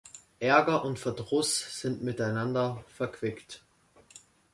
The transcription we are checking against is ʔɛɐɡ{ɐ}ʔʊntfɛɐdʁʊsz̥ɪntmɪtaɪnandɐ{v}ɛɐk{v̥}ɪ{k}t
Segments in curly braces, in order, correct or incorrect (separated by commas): correct, incorrect, correct, correct